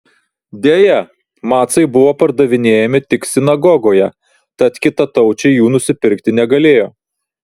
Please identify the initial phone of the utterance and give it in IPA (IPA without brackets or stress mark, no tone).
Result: d̪ʲ